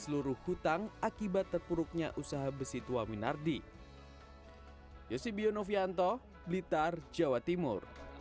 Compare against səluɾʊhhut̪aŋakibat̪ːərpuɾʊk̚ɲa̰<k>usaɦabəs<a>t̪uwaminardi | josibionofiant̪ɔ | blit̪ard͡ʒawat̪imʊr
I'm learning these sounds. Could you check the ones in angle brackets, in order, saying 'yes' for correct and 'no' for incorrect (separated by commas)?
no, no